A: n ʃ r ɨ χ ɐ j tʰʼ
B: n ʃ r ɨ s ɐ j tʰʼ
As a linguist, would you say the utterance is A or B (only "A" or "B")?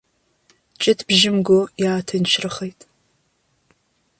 A